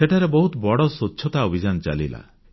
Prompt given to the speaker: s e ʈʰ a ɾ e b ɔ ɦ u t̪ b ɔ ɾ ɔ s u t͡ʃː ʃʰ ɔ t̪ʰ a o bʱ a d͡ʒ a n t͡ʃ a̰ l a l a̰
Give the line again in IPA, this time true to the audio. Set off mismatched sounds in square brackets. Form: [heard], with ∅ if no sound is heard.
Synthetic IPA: s e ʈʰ a ɾ e b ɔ ɦ u t̪ b ɔ [ɽ] ɔ s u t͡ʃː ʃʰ ɔ [t̪] a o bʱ [i] d͡ʒ a n t͡ʃ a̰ l [i] l a̰